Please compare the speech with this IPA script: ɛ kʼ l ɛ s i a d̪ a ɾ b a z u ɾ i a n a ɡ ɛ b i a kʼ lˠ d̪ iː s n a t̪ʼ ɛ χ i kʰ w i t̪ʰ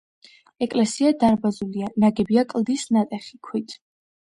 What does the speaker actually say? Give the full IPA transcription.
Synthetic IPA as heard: ɛ kʼ l ɛ s i a d̪ a ɾ b a z u l i a n a ɡ ɛ b i a kʼ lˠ d̪ i s n a t̪ʼ ɛ χ i kʰ w i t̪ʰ